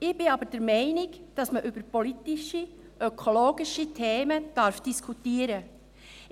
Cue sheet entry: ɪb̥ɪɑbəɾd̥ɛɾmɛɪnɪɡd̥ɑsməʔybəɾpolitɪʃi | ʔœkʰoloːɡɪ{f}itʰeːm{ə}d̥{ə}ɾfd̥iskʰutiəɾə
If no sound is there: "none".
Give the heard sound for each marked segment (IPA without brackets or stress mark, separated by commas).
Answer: ʃ, ə, ɑ